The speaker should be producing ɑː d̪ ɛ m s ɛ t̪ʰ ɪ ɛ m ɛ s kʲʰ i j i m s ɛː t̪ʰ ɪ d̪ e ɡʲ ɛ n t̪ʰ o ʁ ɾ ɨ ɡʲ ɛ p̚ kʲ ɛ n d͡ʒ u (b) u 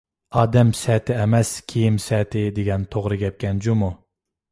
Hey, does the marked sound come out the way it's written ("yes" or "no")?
no